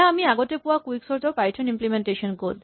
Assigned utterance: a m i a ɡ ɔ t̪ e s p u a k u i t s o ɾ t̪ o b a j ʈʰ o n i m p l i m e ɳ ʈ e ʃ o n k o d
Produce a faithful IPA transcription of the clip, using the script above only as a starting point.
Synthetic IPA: a m i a ɡ o t̪ e p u a k u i k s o ɾ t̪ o p a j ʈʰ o n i m p l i m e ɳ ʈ e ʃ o n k o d